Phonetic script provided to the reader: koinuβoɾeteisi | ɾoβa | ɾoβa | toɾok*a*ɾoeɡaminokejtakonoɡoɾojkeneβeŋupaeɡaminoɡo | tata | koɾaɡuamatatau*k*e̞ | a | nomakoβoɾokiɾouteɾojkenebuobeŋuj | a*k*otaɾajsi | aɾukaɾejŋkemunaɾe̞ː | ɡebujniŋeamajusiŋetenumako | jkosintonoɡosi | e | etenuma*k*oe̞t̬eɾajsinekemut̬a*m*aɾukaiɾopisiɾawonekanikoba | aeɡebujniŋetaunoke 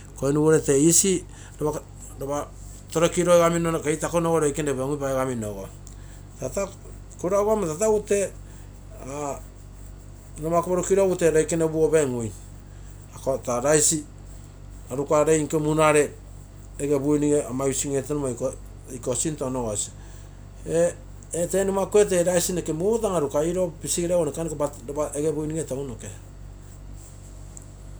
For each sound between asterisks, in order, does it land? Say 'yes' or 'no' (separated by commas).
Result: no, no, yes, yes, no